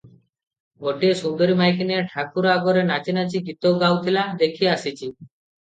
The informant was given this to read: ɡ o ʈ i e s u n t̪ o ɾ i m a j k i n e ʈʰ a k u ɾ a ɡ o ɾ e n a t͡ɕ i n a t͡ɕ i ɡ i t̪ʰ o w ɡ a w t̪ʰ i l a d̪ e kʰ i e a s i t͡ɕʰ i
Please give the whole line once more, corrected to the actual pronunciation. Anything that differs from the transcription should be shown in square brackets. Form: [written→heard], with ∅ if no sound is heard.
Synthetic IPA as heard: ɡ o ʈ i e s u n [t̪→d̪] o ɾ i m a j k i n e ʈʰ a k u ɾ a ɡ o ɾ e n a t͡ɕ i n a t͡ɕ i ɡ i [t̪ʰ→t̪] o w ɡ a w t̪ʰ i l a d̪ e kʰ i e a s i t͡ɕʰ i